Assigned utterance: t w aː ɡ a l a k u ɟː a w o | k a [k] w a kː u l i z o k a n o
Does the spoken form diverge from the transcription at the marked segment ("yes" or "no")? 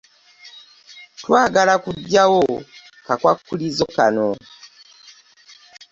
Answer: no